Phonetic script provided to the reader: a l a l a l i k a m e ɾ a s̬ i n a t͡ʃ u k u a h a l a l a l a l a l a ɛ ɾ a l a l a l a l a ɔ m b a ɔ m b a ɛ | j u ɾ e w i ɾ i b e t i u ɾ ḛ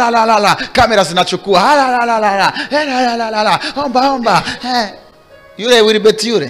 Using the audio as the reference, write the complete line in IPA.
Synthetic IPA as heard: a l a l a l a k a m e ɾ a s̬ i n a t͡ʃ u k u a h a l a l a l a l a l a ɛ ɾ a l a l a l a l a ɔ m b a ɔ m b a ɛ | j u ɾ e w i ɾ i b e t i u ɾ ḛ